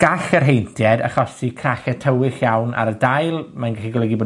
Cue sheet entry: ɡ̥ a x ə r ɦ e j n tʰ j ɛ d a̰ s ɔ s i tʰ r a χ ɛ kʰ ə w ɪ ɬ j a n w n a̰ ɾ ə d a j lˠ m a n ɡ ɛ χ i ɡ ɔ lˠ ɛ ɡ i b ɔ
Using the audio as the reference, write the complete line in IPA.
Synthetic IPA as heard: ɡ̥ a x ə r ɦ e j n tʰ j ɛ d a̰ χ ɔ s i kʰ r a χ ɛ tʰ ə w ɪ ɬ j a w n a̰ ɾ ə d a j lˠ m a n ɡ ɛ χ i ɡ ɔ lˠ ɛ ɡ i b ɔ